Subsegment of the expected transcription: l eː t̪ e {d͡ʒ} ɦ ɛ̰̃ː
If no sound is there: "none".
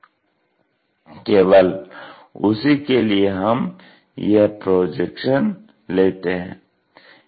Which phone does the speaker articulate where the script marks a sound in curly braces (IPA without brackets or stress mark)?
none